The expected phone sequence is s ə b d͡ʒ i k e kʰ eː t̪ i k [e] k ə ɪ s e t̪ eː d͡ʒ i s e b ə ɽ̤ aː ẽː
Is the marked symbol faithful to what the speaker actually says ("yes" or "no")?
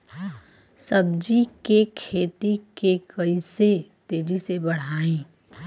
yes